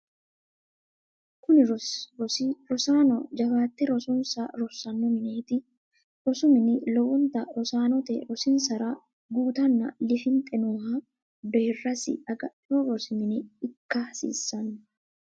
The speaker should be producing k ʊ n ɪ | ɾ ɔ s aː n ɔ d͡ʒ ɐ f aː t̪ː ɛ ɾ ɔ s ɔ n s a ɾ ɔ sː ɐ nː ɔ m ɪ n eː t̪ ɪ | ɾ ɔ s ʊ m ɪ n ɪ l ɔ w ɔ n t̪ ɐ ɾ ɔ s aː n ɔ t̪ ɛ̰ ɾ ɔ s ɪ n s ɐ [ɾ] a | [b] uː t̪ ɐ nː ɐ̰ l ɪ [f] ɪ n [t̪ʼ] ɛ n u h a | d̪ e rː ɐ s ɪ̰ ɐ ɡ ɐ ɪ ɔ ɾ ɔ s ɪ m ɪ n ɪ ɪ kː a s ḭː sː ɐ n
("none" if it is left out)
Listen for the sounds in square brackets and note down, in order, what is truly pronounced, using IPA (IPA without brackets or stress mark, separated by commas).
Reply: ɾ, ɡ, f, t̪ʼ